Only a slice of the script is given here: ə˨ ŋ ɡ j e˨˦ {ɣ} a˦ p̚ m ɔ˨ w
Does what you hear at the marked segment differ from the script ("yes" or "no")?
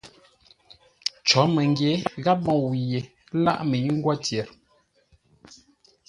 no